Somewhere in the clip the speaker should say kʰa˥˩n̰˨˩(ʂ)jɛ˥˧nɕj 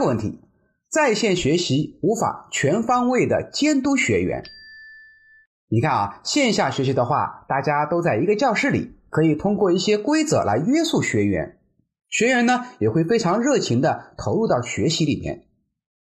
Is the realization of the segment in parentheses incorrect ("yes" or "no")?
yes